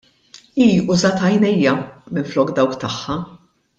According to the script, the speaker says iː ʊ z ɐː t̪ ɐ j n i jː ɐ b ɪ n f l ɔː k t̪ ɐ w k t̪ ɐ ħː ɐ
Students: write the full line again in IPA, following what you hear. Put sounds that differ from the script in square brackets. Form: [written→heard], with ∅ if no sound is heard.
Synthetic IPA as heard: iː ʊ z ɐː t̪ ɐ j n [i→ɛ] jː ɐ [b→m] ɪ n f l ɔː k [t̪→d̪] ɐ w k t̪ ɐ ħː ɐ